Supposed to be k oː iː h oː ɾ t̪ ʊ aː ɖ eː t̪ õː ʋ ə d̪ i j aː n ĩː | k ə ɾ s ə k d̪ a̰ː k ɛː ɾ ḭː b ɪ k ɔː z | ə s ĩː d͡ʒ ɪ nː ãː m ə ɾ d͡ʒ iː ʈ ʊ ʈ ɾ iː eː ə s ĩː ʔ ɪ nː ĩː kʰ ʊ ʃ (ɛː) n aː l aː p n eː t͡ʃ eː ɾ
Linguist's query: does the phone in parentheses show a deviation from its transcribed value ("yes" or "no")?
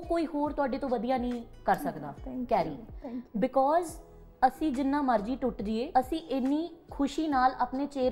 yes